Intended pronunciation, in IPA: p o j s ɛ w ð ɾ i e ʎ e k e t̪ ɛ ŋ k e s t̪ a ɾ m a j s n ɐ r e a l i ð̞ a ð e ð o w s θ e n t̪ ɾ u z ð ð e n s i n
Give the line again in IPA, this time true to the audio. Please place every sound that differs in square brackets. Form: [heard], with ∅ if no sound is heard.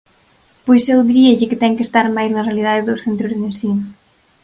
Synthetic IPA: p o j s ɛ w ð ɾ i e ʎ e k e t̪ ɛ ŋ k e s t̪ a ɾ m a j [z] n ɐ r e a l i ð̞ a ð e ð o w s θ e n t̪ ɾ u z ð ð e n s i n